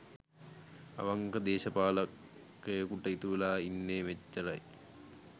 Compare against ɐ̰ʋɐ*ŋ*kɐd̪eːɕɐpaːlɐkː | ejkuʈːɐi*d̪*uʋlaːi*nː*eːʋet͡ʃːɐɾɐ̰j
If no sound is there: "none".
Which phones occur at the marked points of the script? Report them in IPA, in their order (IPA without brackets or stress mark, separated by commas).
ŋ, t̪, nː